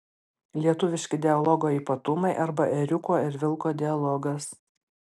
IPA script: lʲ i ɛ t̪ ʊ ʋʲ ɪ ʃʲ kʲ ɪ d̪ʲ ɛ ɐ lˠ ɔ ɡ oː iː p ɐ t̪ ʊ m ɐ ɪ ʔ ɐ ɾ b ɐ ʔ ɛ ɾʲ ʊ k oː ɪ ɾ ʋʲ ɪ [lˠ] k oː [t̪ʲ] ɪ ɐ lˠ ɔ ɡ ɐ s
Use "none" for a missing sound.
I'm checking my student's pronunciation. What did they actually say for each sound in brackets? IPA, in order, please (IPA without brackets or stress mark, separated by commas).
lˠ, d̪ʲ